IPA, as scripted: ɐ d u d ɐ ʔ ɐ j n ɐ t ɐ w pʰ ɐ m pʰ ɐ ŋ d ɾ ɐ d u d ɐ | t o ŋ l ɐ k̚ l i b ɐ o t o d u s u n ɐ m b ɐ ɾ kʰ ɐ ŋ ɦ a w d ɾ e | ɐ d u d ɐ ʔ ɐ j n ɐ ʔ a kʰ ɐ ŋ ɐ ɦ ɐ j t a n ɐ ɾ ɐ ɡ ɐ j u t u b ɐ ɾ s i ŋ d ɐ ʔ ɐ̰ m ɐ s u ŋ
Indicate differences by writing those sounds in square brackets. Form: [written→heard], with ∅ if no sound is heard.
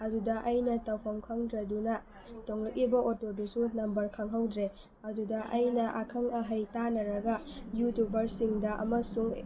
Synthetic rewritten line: ɐ d u d ɐ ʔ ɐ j n ɐ t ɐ w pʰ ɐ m [pʰ→kʰ] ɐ ŋ d ɾ ɐ d u [d→n] ɐ | t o ŋ l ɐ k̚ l i b ɐ o t o d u s u n ɐ m b ɐ ɾ kʰ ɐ ŋ ɦ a w d ɾ e | ɐ d u d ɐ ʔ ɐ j n ɐ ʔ a kʰ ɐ ŋ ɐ ɦ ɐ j t a n ɐ ɾ ɐ ɡ ɐ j u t u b ɐ ɾ s i ŋ d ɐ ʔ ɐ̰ m ɐ s u ŋ